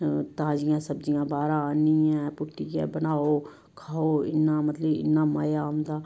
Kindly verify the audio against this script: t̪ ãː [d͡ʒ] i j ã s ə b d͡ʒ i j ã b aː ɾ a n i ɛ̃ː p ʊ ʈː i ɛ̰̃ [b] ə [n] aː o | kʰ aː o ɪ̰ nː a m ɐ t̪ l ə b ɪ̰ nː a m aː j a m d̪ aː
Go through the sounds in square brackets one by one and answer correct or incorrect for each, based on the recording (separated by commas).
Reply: correct, correct, correct